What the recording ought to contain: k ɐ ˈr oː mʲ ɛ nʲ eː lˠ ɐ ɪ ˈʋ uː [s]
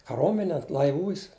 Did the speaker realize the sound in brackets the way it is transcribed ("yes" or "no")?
yes